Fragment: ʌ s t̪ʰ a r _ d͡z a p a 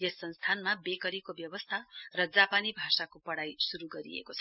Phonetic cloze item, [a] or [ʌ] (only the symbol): ʌ